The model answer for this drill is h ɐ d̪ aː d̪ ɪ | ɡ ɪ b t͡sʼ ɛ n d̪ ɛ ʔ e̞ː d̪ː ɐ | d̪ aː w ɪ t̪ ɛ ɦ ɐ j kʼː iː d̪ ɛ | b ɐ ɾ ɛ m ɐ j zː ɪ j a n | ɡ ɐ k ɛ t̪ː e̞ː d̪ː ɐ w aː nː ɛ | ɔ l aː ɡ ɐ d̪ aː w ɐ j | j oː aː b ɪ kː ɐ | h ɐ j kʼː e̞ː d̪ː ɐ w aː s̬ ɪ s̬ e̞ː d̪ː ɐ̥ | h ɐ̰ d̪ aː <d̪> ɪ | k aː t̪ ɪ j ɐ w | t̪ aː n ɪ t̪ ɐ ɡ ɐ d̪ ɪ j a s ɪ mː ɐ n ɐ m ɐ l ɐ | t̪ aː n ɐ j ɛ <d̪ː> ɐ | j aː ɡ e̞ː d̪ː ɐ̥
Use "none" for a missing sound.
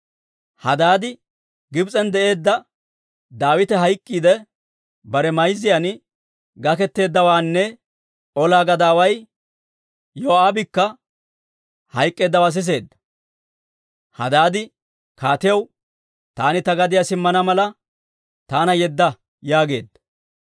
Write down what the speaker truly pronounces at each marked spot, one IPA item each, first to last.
d̪, d̪ː

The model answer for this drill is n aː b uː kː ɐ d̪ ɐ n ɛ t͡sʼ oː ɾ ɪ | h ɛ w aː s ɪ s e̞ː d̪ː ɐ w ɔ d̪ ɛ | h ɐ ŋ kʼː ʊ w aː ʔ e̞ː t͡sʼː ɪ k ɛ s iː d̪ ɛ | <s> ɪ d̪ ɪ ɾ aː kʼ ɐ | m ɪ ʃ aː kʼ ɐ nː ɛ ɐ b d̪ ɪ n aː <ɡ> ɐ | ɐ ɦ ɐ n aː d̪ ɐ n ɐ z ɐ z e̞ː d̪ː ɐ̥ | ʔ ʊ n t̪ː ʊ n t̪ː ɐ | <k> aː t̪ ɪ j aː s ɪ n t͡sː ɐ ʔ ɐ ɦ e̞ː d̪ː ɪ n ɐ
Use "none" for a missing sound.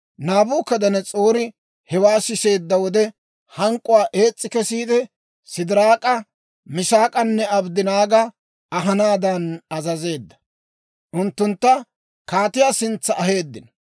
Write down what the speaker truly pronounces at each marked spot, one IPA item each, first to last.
s, ɡ, k

